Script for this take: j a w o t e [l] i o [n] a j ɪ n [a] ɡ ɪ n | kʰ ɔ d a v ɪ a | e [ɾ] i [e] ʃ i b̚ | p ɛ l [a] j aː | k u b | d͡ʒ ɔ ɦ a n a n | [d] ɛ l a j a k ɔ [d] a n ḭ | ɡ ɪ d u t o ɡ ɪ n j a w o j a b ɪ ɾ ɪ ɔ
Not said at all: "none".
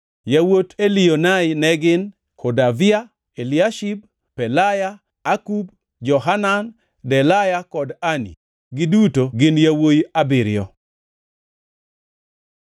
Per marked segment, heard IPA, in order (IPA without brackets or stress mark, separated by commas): l, n, ɛ, l, a, a, d, d